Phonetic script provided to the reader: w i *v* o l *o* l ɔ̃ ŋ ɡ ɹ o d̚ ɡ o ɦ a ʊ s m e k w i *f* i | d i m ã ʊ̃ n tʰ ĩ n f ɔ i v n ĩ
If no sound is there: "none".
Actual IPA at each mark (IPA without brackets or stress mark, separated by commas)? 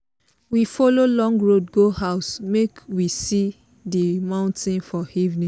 f, o, s